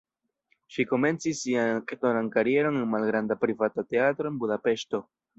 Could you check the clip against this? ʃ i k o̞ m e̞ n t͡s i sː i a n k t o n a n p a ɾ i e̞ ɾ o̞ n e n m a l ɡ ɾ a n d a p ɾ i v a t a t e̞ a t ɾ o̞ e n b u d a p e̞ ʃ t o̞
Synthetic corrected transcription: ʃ i k o̞ m e̞ n t͡s i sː i a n k t o n a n k a ɾ i e̞ ɾ o̞ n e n m a l ɡ ɾ a n d a p ɾ i v a t a t e̞ a t ɾ o̞ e n b u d a p e̞ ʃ t o̞